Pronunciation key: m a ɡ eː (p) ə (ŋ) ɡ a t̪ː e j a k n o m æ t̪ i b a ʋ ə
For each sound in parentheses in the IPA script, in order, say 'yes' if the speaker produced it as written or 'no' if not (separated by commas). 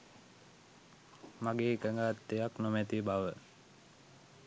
no, yes